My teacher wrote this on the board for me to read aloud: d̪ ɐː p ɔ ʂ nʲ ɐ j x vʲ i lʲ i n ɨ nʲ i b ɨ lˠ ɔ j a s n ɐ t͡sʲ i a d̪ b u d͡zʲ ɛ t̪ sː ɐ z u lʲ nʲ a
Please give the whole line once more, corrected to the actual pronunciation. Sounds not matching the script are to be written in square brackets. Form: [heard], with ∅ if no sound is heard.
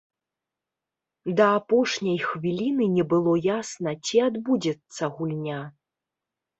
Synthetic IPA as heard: d̪ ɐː p ɔ ʂ nʲ ɐ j x vʲ i lʲ i n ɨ nʲ [ɛ] b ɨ lˠ ɔ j a s n ɐ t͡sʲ i a d̪ b u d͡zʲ ɛ t̪ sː ɐ [ɣ] u lʲ nʲ a